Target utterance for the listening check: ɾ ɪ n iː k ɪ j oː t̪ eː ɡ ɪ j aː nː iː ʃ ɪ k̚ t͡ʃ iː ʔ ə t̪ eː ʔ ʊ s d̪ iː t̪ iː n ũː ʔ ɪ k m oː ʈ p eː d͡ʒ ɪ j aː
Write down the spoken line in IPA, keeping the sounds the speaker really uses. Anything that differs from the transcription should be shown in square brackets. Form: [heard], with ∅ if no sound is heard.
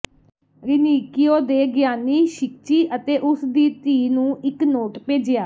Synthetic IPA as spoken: ɾ ɪ n iː k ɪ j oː [d̪] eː ɡ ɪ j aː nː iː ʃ ɪ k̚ t͡ʃ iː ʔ ə t̪ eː ʔ ʊ s d̪ iː t̪ iː n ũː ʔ ɪ k [n] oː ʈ p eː d͡ʒ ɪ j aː